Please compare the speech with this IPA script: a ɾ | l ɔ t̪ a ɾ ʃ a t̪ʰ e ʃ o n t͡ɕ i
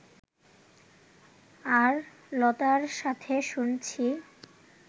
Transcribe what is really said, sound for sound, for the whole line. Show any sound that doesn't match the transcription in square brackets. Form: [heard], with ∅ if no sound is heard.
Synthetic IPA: a ɾ | l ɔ t̪ a ɾ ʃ a t̪ʰ e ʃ [u] n [t͡ɕʰ] i